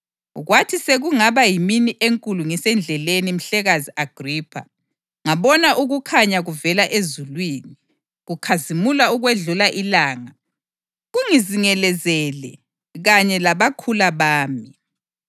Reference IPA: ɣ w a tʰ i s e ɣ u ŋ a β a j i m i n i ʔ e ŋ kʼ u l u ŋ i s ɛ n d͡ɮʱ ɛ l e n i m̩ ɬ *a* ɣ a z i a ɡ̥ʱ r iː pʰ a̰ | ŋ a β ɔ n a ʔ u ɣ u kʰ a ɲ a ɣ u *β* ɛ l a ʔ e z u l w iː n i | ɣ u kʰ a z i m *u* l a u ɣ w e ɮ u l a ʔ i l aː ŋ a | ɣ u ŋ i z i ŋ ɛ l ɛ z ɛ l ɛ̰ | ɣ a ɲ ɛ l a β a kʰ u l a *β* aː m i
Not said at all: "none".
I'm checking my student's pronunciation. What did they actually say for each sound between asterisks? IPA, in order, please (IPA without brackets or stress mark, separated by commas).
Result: ɛ, v, u, β